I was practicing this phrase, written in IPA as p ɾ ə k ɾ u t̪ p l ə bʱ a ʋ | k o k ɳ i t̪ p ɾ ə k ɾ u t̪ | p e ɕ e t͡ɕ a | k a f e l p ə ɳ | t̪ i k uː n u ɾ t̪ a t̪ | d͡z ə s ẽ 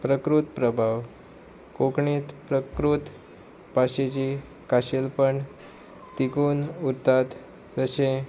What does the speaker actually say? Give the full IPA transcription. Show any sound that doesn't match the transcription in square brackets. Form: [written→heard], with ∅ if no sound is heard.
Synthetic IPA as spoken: p ɾ ə k ɾ u t̪ p [l→ɾ] ə bʱ a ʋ | k o k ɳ i t̪ p ɾ ə k ɾ u t̪ | p [e→a] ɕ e t͡ɕ [a→i] | k a [f→ɕ] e l p ə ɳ | t̪ i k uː n u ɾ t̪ a t̪ | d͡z ə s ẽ